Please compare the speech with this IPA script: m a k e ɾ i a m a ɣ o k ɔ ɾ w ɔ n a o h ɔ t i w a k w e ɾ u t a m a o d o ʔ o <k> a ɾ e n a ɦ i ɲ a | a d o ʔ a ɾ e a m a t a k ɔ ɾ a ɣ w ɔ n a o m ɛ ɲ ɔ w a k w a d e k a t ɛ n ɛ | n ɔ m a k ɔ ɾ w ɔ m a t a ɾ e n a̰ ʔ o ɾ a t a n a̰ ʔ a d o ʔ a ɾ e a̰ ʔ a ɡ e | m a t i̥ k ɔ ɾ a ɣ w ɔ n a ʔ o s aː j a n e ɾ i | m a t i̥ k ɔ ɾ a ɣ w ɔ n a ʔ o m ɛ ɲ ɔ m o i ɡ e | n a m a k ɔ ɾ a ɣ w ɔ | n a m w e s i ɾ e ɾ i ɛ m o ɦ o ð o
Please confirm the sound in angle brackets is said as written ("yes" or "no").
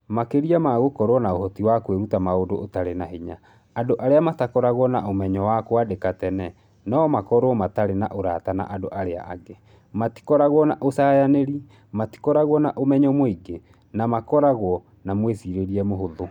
no